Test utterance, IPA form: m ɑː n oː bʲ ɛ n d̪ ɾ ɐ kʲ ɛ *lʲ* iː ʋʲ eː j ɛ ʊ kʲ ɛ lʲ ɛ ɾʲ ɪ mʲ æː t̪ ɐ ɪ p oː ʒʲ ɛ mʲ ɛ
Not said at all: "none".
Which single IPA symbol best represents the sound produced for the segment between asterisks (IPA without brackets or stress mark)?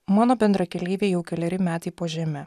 lʲ